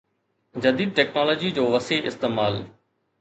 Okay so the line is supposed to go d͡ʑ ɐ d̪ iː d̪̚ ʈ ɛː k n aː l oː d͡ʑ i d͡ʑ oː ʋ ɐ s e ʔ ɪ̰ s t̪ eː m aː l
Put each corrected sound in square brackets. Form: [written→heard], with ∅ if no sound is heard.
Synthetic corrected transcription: d͡ʑ ɐ d̪ iː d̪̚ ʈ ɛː k n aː l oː d͡ʑ i d͡ʑ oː ʋ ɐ s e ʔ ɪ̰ s t̪ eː m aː l